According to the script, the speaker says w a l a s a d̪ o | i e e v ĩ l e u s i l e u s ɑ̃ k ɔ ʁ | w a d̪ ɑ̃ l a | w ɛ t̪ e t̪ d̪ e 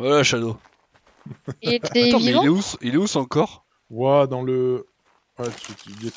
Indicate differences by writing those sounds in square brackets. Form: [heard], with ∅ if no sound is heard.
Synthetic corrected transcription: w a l a [ʃ] a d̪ o | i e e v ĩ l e u s i l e u s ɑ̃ k ɔ ʁ | w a d̪ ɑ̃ l [ə] | w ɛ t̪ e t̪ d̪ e